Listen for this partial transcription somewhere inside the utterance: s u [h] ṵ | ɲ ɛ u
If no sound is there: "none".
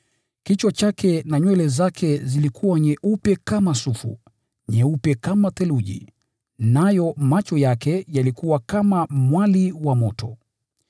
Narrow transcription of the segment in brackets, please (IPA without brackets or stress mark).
f